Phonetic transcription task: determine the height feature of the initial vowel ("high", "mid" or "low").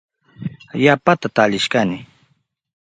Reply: low